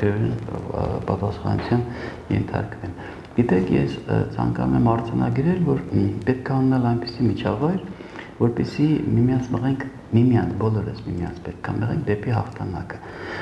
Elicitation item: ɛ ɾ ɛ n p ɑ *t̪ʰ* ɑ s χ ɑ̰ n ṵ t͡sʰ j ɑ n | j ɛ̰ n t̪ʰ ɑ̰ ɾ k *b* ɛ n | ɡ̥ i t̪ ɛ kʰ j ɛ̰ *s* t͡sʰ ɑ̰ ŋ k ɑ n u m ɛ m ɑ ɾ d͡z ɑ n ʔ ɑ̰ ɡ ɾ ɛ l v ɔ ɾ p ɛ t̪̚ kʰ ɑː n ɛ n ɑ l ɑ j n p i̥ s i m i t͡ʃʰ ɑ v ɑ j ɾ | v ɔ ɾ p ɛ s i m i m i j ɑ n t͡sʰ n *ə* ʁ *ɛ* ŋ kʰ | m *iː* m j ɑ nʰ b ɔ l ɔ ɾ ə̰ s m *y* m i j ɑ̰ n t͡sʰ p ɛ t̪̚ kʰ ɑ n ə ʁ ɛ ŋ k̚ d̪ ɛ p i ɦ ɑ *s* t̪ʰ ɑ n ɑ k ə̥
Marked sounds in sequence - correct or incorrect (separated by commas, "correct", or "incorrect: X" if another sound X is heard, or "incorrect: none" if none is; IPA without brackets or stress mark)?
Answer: incorrect: t̪, incorrect: v, correct, correct, correct, incorrect: i, incorrect: i, incorrect: χ